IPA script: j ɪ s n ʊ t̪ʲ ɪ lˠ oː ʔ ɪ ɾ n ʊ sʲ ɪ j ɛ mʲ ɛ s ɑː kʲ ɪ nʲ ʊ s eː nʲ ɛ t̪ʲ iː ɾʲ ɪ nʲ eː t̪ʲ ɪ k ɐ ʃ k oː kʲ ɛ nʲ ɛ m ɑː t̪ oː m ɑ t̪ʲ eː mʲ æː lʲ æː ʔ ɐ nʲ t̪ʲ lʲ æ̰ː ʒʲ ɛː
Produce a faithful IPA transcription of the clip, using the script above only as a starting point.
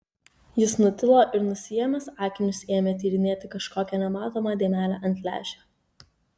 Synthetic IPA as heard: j ɪ s n ʊ t̪ʲ ɪ lˠ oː ʔ ɪ ɾ n ʊ sʲ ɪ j ɛ mʲ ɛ s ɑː kʲ ɪ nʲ ʊ s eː mʲ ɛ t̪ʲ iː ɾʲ ɪ nʲ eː t̪ʲ ɪ k ɐ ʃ k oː kʲ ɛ nʲ ɛ m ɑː t̪ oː m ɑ d̪ʲ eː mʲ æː lʲ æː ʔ ɐ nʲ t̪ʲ lʲ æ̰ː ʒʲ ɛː